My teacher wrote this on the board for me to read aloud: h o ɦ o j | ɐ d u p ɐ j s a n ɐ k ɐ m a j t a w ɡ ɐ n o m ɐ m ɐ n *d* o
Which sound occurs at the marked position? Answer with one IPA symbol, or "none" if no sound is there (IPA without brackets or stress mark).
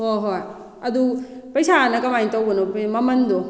d